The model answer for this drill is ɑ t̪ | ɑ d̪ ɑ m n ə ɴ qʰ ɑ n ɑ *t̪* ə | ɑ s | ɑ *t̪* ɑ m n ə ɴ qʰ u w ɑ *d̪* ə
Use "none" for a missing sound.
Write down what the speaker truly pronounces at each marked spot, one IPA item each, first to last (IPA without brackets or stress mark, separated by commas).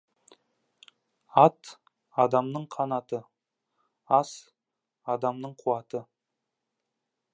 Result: t̪, d̪, t̪